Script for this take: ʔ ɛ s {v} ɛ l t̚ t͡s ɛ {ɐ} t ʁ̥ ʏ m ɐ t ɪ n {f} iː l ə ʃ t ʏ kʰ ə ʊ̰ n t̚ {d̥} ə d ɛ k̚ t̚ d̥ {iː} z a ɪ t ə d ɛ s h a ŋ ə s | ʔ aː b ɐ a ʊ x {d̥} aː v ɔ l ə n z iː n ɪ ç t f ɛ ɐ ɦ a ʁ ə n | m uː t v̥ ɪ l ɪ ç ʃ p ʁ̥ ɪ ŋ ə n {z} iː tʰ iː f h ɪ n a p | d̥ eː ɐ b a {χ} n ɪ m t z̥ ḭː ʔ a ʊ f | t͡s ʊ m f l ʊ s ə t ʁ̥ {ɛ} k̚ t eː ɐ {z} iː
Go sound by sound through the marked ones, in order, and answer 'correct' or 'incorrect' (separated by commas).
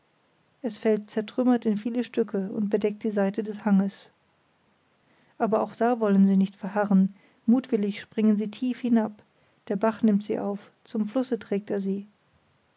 incorrect, correct, correct, incorrect, correct, correct, correct, correct, incorrect, correct